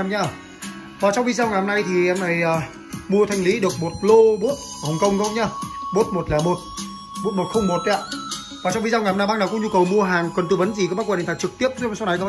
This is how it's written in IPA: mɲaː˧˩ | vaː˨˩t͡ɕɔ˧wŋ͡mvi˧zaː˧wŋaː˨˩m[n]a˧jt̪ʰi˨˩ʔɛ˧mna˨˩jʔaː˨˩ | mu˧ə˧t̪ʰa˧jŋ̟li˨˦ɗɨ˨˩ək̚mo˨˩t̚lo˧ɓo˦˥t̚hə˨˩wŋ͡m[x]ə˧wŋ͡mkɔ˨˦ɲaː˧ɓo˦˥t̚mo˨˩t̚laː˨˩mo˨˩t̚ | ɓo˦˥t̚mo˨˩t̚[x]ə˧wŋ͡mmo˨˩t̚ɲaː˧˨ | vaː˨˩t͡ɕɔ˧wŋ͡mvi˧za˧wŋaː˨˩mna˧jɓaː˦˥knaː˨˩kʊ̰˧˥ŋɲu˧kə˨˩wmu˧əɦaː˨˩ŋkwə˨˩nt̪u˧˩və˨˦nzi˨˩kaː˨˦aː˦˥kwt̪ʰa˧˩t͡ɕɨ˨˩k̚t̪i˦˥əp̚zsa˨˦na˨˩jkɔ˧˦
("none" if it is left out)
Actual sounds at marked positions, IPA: n, k, x

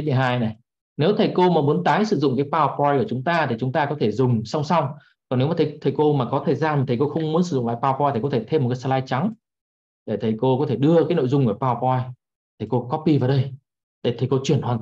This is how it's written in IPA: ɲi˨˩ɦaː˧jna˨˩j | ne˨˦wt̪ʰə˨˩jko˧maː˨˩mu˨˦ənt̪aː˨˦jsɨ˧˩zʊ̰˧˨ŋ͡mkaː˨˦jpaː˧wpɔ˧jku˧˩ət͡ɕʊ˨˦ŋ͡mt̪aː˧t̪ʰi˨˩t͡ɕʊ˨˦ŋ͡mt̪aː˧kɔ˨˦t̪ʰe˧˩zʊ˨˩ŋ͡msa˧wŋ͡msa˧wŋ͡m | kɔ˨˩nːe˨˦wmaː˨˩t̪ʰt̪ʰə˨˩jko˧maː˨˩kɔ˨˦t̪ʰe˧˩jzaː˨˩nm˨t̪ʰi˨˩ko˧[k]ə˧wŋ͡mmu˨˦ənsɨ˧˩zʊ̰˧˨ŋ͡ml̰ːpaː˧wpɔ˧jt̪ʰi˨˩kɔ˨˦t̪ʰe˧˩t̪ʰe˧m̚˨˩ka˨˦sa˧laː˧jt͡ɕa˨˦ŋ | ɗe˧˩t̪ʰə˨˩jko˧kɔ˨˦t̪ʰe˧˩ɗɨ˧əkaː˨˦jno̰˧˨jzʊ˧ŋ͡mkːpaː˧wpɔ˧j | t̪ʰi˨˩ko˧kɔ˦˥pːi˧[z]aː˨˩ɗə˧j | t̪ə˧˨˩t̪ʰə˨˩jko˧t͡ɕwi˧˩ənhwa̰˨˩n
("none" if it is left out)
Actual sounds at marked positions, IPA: x, v

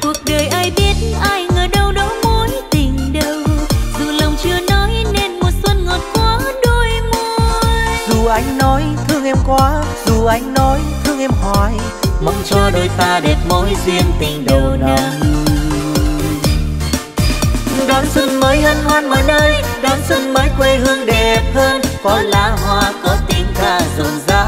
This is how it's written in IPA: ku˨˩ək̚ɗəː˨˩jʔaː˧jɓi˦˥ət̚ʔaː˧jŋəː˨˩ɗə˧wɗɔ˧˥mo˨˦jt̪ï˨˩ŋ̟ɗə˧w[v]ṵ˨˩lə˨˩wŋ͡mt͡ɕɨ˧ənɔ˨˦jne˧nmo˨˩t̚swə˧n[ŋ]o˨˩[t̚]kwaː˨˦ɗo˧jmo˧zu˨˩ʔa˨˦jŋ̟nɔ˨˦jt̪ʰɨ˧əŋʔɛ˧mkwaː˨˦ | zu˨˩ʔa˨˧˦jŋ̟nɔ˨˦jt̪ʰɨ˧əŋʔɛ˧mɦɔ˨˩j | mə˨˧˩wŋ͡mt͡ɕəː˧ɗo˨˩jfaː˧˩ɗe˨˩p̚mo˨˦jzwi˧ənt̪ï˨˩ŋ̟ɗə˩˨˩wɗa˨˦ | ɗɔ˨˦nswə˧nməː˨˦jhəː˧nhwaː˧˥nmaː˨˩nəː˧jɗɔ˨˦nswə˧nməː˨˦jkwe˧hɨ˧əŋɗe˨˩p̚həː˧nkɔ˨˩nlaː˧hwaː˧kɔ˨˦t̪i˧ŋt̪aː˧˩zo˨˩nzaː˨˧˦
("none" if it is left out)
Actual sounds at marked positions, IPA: z, ŋ, t̚

